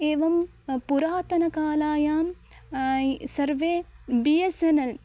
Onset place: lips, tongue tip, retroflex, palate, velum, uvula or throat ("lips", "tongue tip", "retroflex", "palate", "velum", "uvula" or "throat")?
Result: lips